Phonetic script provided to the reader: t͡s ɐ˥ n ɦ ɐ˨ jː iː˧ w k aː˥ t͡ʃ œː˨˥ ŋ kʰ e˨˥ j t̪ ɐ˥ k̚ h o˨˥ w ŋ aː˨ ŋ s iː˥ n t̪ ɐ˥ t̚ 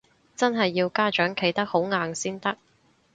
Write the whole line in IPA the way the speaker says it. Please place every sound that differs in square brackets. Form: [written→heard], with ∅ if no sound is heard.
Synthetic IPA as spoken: t͡s ɐ˥ n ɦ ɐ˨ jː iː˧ w k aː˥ t͡ʃ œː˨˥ ŋ kʰ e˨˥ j t̪ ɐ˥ k̚ h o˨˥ w ŋ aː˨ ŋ s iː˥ n t̪ ɐ˥ [t̚→k̚]